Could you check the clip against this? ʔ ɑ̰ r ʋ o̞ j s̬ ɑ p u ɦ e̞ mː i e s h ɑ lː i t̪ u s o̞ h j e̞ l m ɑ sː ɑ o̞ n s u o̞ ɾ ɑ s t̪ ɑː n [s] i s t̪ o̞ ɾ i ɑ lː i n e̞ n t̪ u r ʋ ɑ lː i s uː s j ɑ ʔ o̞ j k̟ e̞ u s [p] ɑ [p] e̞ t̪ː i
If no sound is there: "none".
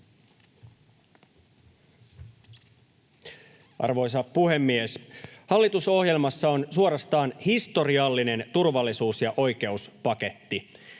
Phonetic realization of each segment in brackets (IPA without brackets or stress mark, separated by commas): h, p, k